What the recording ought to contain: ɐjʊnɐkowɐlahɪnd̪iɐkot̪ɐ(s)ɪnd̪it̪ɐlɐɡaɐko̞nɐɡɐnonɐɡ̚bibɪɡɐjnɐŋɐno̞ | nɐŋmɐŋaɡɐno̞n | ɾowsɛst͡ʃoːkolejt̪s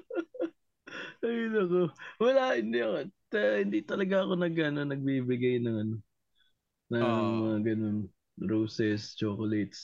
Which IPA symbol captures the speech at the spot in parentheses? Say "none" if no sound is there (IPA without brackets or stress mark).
h